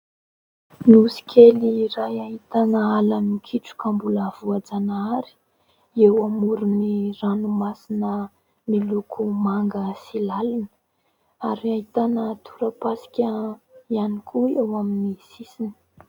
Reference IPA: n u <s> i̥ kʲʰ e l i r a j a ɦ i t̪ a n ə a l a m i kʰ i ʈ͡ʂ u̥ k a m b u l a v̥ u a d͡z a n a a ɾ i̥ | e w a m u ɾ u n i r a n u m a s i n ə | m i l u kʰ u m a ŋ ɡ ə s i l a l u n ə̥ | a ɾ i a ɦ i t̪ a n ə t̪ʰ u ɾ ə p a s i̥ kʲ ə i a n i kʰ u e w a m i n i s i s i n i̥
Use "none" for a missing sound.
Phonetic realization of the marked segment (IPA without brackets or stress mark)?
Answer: s